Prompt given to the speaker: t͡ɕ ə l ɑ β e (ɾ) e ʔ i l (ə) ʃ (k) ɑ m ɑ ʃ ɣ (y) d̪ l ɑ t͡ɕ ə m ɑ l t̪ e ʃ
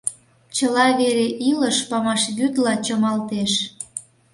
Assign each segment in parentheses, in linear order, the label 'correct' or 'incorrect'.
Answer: correct, correct, incorrect, correct

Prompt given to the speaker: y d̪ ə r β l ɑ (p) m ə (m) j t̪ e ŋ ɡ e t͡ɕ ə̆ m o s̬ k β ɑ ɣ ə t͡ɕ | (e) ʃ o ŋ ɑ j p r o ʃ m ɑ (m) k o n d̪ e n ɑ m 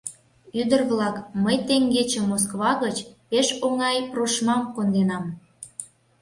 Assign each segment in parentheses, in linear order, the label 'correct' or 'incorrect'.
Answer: incorrect, incorrect, correct, correct

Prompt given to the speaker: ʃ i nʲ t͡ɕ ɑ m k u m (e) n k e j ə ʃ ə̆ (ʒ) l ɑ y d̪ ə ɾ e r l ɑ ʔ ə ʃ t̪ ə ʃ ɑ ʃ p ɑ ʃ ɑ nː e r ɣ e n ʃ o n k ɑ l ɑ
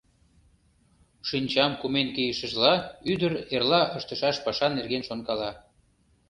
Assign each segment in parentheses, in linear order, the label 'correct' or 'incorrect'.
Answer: correct, correct

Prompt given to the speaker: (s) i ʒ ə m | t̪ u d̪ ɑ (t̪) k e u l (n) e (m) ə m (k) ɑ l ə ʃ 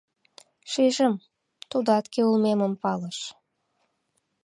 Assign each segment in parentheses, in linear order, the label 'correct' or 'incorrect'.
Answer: incorrect, correct, incorrect, correct, incorrect

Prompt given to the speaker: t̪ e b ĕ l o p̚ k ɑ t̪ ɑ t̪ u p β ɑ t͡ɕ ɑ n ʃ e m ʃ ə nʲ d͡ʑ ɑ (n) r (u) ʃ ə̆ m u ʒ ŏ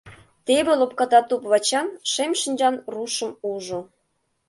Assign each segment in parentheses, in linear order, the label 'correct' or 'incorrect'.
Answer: correct, correct

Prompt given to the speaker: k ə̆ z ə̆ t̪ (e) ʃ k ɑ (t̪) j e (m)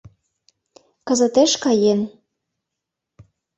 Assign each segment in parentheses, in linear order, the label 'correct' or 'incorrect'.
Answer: correct, incorrect, incorrect

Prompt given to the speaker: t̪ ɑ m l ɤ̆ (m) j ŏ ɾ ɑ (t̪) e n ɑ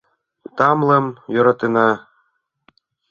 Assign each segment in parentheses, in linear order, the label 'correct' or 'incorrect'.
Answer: correct, correct

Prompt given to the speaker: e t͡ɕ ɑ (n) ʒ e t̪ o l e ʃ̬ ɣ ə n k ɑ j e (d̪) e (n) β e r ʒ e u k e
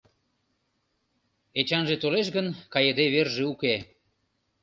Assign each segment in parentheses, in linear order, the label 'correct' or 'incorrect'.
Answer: correct, correct, incorrect

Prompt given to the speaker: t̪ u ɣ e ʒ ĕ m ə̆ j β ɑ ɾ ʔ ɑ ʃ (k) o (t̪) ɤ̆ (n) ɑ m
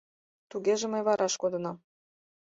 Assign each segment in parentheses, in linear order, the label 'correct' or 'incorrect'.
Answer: correct, incorrect, correct

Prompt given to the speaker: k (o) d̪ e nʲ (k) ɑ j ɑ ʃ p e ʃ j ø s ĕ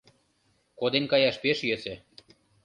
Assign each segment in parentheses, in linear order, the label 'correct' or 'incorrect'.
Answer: correct, correct

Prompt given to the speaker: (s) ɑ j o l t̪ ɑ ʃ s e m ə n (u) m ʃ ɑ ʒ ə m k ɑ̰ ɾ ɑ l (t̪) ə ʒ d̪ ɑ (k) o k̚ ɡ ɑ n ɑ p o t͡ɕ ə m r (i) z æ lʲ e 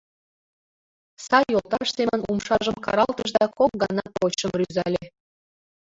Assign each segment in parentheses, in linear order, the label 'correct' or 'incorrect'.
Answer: correct, correct, correct, correct, incorrect

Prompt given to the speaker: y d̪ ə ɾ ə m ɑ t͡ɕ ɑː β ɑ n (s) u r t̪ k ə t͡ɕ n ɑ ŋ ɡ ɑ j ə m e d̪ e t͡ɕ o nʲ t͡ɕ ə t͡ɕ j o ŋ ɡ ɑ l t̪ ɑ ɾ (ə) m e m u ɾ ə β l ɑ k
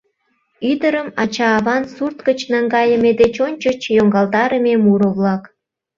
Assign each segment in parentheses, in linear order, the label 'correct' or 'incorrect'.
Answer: correct, correct

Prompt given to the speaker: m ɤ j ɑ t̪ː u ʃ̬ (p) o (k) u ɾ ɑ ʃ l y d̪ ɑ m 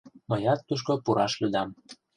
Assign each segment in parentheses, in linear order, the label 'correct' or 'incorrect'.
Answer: incorrect, incorrect

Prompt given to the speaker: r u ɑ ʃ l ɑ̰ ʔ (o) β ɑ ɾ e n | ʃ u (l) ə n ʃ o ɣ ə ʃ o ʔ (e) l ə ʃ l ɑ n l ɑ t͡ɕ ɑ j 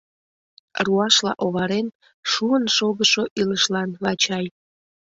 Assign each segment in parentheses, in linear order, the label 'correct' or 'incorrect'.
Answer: correct, incorrect, incorrect

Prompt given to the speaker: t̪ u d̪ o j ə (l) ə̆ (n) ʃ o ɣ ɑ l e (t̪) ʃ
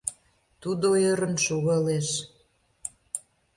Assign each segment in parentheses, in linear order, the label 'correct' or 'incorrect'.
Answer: incorrect, correct, incorrect

